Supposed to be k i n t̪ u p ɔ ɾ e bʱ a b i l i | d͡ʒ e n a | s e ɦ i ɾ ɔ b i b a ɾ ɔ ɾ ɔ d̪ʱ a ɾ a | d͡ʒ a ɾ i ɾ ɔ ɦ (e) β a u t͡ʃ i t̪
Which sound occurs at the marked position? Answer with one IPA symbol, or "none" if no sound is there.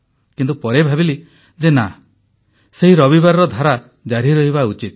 i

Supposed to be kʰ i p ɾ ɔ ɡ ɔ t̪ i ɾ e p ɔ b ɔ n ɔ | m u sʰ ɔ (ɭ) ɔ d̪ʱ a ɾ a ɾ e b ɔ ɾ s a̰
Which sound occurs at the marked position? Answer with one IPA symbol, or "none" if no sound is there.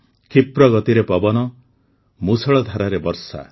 ɭ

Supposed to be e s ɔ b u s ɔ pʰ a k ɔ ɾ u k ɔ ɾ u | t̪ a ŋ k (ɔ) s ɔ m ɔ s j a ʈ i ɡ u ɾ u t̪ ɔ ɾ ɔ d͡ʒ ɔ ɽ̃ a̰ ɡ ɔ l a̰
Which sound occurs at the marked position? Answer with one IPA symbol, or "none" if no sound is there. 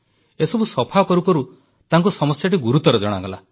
u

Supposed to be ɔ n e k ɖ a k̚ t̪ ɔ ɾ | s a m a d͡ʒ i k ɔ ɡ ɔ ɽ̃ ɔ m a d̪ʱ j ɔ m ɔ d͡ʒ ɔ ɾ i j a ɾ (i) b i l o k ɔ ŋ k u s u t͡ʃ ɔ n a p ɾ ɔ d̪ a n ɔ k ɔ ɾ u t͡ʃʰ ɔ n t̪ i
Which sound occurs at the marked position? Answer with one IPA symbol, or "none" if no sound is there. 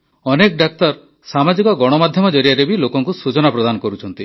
e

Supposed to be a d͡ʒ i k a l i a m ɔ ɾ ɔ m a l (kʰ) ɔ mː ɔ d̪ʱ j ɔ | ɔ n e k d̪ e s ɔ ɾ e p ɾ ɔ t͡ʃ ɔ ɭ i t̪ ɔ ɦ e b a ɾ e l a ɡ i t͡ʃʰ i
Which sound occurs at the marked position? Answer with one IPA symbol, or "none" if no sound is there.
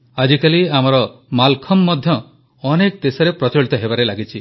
kʰ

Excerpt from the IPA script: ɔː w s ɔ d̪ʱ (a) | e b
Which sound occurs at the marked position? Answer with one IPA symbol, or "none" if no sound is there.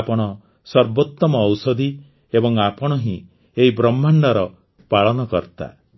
i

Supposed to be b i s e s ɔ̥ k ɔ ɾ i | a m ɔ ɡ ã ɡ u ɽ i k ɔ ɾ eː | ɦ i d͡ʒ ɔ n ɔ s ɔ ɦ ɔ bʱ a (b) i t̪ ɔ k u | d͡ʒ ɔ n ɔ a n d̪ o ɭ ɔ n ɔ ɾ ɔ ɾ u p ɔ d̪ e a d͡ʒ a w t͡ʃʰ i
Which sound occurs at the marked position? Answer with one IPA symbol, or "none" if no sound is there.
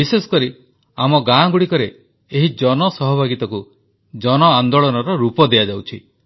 ɡ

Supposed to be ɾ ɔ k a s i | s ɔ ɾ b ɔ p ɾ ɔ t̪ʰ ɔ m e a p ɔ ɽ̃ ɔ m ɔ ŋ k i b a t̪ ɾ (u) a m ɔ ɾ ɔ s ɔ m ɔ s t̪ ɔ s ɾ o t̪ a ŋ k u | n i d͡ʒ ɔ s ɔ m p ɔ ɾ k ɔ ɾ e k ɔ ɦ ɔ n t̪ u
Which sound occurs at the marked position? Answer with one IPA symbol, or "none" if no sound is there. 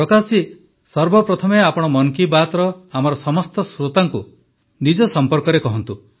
ɔ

